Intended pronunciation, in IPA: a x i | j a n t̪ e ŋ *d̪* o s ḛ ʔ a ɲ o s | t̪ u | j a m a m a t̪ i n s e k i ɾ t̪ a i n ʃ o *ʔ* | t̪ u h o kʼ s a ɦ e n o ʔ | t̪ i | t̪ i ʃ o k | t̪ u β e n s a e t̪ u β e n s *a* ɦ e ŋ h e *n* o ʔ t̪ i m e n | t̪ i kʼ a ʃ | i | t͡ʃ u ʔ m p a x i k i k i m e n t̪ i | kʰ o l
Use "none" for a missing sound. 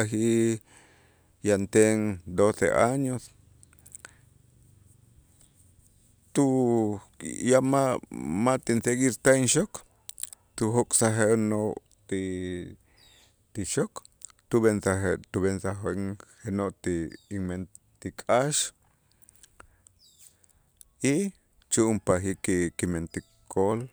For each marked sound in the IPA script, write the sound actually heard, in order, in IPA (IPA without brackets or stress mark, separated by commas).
d̪, k, a, n